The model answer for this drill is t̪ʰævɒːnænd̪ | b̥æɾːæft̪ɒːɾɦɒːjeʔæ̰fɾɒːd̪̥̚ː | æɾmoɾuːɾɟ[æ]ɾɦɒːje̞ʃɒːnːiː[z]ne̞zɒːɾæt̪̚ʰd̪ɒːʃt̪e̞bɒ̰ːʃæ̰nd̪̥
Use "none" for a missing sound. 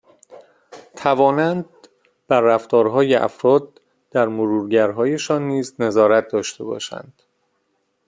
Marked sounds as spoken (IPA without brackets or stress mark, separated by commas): æ, z